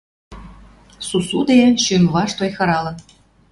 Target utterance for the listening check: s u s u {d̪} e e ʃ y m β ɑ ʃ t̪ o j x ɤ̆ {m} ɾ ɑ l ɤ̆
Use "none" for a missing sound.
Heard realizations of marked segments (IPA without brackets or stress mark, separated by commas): d̪, none